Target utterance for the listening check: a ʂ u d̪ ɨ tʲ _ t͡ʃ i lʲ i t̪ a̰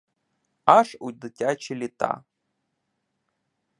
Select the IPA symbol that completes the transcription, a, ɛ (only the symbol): a